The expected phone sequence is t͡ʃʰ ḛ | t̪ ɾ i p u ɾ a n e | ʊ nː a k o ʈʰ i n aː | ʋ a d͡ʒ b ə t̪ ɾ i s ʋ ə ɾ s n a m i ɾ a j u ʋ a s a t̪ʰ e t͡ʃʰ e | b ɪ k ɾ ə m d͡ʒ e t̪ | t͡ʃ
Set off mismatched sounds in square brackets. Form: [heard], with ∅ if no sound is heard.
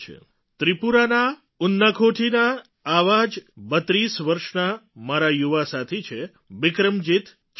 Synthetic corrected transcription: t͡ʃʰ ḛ | t̪ ɾ i p u ɾ a n [a] | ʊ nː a [kʰ] o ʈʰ i n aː | ʋ a d͡ʒ b ə t̪ ɾ i s ʋ ə ɾ [ʃ] n a m [a] ɾ a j u ʋ a s a t̪ʰ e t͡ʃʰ e | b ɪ k ɾ ə m d͡ʒ [i] t̪ | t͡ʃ